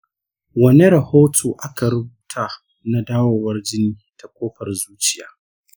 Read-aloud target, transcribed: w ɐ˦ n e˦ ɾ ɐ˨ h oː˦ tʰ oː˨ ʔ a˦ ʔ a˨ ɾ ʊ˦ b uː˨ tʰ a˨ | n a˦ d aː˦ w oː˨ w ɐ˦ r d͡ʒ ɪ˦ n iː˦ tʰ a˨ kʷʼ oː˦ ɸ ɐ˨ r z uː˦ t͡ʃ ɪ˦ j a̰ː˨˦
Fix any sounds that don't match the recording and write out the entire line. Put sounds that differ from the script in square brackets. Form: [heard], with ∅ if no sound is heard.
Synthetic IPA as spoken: w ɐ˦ n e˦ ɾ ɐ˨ h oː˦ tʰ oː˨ ʔ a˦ [k] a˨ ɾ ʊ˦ b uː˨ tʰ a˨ | n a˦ d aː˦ w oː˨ w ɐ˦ r d͡ʒ ɪ˦ n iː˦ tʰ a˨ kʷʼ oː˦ ɸ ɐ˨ r z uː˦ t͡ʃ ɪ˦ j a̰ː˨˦